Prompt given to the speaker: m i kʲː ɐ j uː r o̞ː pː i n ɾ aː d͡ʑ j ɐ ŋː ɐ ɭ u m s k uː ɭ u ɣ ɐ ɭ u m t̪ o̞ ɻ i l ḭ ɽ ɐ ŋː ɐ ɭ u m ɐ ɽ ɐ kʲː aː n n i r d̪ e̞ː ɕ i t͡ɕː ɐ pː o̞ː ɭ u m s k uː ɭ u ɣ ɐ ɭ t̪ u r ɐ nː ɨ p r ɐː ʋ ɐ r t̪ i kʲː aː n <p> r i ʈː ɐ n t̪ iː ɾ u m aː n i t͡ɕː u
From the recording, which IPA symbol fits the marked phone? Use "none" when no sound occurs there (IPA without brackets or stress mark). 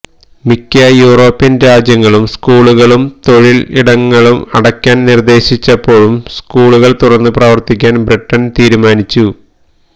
b